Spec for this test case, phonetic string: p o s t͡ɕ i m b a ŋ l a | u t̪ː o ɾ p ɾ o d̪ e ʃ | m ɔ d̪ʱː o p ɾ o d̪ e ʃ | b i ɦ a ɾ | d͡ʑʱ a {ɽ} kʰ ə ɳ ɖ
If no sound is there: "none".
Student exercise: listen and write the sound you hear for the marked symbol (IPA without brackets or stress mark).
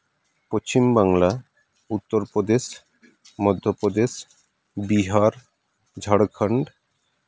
ɽ